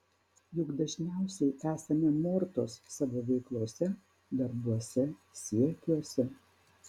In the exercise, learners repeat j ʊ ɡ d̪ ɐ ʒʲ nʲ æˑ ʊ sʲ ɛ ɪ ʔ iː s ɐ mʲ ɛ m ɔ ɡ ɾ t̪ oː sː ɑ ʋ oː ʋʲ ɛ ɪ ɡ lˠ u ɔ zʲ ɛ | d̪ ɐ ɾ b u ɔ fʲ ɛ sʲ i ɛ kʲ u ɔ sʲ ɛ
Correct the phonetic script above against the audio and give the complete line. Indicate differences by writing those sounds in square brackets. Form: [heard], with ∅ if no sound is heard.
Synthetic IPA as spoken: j ʊ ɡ d̪ ɐ ʒʲ nʲ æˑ ʊ sʲ ɛ ɪ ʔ [æː] s ɐ mʲ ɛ m ɔ [∅] ɾ t̪ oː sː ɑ ʋ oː ʋʲ ɛ ɪ [k] lˠ u ɔ [sʲ] ɛ | d̪ ɐ ɾ b u ɔ [sʲ] ɛ sʲ i ɛ kʲ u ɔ sʲ ɛ